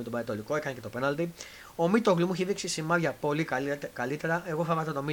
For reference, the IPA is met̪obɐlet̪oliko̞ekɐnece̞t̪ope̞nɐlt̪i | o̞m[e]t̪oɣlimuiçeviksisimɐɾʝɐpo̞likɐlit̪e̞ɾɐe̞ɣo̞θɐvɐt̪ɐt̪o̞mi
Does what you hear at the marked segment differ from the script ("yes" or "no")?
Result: yes